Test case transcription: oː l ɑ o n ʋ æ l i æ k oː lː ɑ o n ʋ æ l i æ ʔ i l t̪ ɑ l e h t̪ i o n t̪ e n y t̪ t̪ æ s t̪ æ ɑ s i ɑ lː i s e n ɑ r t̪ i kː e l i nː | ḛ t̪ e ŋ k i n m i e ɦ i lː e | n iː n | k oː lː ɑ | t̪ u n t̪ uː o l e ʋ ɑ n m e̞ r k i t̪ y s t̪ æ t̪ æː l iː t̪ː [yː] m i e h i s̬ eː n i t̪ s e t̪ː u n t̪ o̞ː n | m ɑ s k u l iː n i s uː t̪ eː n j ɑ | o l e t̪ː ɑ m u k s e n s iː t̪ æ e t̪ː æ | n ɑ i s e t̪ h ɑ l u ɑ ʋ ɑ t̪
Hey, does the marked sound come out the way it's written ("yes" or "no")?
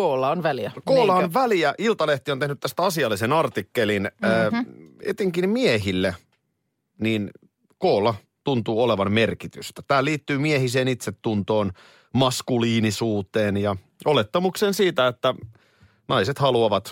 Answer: yes